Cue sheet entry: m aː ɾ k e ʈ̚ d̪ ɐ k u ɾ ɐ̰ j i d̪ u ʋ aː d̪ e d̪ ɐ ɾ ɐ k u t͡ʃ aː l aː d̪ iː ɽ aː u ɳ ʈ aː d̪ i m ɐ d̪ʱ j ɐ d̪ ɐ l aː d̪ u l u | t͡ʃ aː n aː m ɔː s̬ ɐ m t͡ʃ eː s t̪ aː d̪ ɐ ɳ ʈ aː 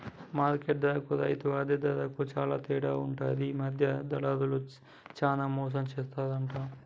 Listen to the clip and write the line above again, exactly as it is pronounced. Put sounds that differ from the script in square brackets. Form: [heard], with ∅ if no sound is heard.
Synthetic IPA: m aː ɾ k e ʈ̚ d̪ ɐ k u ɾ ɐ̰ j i [t̪] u ʋ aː d̪ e d̪ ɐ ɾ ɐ k u t͡ʃ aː l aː [t̪] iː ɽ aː u ɳ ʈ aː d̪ i m ɐ d̪ʱ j ɐ d̪ ɐ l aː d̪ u l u | t͡ʃ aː n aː m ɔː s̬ ɐ m t͡ʃ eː s t̪ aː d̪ ɐ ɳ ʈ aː

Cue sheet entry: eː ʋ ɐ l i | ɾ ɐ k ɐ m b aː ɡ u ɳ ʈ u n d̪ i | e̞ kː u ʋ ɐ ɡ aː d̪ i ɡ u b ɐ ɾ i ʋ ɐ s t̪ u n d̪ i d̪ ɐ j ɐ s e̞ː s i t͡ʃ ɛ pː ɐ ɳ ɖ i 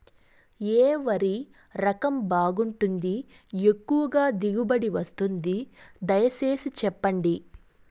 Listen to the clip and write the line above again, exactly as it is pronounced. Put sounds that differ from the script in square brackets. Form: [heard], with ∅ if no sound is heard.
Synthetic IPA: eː ʋ ɐ [ɾ] i | ɾ ɐ k ɐ m b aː ɡ u ɳ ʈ u n d̪ i | e̞ kː u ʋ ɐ ɡ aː d̪ i ɡ u b ɐ [ɽ] i ʋ ɐ s t̪ u n d̪ i d̪ ɐ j ɐ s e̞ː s i t͡ʃ ɛ pː ɐ ɳ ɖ i

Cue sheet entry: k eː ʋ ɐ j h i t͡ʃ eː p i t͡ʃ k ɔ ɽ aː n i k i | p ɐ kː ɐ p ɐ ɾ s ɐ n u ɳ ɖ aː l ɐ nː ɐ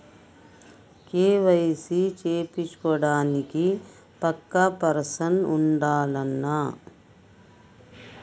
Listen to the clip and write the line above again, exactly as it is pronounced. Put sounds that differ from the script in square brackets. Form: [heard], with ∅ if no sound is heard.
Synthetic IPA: k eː ʋ ɐ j [s] i t͡ʃ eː p i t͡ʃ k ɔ ɽ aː n i k i | p ɐ kː ɐ p ɐ ɾ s ɐ n u ɳ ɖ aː l ɐ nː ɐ

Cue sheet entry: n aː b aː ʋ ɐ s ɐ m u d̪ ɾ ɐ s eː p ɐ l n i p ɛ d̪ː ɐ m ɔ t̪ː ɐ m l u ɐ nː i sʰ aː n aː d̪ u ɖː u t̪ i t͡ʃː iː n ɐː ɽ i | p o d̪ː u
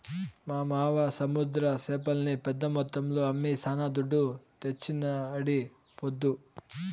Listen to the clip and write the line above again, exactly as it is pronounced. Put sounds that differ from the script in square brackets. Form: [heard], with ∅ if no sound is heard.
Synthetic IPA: [m] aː [m] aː ʋ ɐ s ɐ m u d̪ ɾ ɐ s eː p ɐ l n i p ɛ d̪ː ɐ m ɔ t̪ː ɐ m l u ɐ [mː] i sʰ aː n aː d̪ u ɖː u t̪ [e] t͡ʃː [i] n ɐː ɽ i | p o d̪ː u

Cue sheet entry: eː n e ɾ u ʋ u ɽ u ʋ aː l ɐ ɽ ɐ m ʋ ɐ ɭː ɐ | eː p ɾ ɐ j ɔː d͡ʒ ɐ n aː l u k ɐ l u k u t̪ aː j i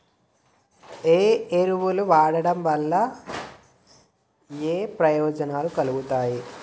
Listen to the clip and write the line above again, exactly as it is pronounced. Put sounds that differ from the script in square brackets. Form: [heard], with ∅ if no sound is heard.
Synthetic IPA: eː [∅] e ɾ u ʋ u [l] u ʋ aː [ɽ] ɐ ɽ ɐ m ʋ ɐ [lː] ɐ | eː p ɾ ɐ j ɔː d͡ʒ ɐ n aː l u k ɐ l u [ɡ] u t̪ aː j i

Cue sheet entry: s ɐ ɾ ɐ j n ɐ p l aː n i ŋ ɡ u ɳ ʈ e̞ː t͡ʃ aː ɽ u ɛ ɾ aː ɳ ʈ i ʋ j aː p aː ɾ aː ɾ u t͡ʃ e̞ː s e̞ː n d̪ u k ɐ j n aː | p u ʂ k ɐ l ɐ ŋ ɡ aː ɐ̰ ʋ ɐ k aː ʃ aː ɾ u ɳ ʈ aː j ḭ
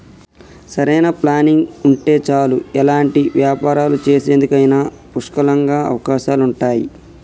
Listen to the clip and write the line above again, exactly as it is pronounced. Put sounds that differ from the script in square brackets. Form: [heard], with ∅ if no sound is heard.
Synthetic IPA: s ɐ ɾ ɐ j n ɐ p l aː n i ŋ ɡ u ɳ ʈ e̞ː t͡ʃ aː [l] u ɛ [l] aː ɳ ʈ i ʋ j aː p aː ɾ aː [l] u t͡ʃ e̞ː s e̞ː n d̪ u k ɐ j n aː | p u ʂ k ɐ l ɐ ŋ ɡ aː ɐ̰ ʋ ɐ k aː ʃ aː [l] u ɳ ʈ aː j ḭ

